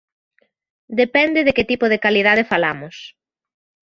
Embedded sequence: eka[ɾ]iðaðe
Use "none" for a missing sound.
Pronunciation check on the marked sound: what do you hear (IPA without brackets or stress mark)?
l